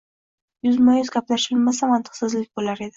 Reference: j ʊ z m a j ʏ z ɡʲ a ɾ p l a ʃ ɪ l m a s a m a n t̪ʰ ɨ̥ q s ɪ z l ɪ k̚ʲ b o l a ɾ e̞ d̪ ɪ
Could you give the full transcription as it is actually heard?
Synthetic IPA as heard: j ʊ z m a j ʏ z ɡʲ a p l a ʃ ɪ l m a s a m a n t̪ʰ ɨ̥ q s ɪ z l ɪ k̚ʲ b o l a ɾ e̞ d̪ ɪ